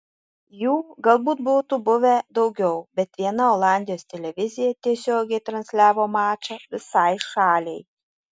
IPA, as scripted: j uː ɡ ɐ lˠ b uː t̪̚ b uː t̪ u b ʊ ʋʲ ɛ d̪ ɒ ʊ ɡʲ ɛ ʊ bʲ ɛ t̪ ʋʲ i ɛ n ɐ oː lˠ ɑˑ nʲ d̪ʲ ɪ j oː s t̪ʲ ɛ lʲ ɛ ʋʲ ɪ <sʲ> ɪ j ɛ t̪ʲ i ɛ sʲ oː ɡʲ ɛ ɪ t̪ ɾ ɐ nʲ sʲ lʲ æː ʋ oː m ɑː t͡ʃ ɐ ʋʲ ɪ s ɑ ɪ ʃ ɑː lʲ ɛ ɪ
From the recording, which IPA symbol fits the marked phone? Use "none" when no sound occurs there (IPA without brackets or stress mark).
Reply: zʲ